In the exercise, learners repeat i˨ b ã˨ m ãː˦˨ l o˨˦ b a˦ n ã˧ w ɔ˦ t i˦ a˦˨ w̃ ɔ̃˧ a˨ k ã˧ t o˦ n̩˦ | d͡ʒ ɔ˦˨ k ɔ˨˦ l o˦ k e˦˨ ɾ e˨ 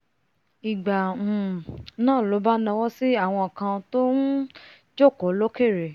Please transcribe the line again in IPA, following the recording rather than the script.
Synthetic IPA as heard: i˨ ɡ͡b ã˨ n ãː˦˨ l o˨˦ b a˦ n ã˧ w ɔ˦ s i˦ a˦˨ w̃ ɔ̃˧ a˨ k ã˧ t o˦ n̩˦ | d͡ʒ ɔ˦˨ k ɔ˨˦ l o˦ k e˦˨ ɾ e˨